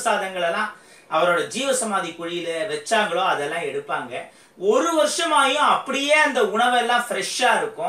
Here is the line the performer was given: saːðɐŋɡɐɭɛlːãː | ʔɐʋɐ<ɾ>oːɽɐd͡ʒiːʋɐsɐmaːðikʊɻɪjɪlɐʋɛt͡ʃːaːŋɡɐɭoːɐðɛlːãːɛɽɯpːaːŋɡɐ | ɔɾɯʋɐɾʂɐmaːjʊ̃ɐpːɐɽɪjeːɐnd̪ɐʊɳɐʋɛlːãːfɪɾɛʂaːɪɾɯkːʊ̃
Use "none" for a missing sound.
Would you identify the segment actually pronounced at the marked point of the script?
ɾ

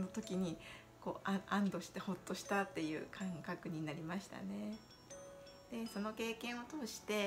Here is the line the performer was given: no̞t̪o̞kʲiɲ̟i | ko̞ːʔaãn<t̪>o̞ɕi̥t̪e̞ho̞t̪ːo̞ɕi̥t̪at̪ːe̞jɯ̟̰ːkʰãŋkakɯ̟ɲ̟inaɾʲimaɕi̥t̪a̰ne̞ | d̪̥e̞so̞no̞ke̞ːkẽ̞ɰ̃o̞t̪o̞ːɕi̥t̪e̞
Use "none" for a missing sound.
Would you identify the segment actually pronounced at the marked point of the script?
d̪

